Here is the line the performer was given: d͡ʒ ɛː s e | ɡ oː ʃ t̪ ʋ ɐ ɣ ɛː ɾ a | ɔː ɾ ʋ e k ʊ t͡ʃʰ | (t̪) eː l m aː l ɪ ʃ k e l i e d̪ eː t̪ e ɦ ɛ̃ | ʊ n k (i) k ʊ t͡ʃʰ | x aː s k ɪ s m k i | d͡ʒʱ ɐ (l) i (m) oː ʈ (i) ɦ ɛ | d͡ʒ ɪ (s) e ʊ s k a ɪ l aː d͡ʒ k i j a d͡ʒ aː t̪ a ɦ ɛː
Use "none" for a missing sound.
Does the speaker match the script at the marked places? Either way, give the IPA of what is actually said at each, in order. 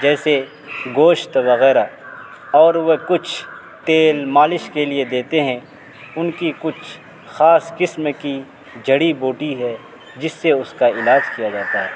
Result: t̪, i, ɽ, b, i, sː

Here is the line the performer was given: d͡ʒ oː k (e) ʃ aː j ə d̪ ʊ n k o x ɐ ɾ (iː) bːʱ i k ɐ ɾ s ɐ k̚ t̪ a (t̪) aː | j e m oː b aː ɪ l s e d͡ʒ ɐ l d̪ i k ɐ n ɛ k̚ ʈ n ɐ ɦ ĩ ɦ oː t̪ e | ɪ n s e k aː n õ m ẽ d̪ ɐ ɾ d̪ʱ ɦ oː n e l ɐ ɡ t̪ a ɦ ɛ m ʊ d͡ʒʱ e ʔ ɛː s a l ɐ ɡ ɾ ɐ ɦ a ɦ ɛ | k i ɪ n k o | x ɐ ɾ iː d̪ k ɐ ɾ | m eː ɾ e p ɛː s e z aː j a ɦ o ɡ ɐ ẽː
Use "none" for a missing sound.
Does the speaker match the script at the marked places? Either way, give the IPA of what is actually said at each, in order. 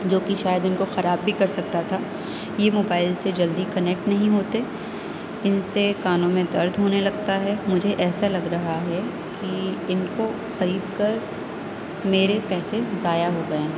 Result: i, aː, t̪ʰ

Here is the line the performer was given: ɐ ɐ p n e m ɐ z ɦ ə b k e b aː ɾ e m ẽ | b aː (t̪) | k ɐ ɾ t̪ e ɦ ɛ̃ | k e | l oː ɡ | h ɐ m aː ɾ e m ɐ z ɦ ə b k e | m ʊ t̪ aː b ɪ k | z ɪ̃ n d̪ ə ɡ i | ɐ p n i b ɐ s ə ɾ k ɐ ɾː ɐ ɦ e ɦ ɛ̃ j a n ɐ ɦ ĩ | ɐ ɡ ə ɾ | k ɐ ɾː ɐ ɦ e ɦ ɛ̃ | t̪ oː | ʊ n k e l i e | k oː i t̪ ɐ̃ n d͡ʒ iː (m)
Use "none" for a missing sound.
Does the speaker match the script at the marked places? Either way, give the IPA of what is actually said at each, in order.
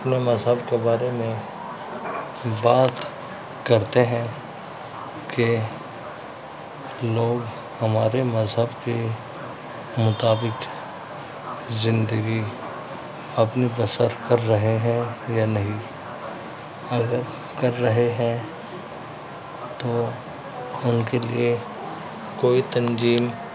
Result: t̪, m

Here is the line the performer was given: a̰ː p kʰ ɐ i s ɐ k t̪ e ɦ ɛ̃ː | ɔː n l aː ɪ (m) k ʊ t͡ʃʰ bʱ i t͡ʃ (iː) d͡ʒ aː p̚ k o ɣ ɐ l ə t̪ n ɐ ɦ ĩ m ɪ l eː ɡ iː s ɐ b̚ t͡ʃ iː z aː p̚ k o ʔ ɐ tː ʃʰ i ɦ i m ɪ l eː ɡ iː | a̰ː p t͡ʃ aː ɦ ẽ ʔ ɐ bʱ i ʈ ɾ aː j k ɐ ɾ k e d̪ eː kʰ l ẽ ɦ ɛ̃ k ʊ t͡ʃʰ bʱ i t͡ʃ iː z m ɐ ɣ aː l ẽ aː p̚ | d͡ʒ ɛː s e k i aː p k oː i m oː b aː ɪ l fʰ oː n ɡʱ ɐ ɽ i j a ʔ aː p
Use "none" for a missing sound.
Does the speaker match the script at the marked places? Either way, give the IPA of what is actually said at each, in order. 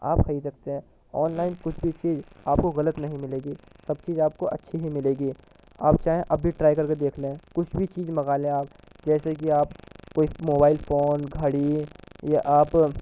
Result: n, iː

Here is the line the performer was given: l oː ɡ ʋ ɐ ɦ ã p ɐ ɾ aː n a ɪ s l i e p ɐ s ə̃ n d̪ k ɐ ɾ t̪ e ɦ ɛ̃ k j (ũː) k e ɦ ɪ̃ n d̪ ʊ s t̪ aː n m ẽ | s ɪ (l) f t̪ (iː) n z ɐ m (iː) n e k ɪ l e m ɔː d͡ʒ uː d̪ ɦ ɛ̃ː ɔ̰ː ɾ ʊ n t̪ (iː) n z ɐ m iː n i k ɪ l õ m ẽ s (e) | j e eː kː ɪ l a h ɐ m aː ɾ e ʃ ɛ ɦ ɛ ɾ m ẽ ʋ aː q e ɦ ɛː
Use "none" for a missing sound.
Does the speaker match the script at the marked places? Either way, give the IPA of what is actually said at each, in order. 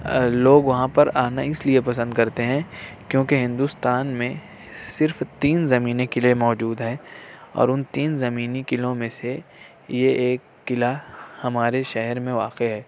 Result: õː, ɾ, iː, iː, iː, e

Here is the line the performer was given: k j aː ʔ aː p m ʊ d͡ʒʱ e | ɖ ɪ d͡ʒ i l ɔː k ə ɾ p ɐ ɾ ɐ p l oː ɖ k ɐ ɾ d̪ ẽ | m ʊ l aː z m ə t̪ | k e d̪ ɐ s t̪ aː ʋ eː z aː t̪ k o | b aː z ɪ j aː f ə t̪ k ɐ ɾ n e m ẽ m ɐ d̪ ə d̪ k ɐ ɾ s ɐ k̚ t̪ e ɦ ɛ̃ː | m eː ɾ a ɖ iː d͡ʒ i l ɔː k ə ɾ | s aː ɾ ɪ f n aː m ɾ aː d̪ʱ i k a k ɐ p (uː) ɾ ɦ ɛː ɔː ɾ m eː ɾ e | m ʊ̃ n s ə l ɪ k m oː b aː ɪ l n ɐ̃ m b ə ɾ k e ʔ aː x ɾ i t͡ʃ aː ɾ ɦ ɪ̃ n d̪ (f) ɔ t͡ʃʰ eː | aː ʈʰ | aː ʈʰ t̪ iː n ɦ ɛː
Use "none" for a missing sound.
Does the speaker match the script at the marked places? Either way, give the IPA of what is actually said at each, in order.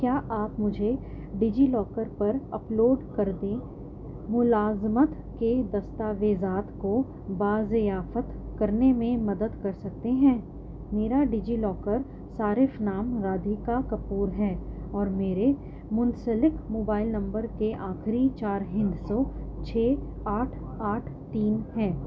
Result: uː, s

